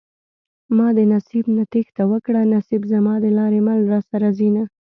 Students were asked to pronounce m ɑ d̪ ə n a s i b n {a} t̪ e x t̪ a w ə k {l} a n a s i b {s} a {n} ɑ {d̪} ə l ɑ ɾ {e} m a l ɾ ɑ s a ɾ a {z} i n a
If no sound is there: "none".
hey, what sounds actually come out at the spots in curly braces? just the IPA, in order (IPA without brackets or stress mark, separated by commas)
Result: a, ɽ, z, m, d̪, e, z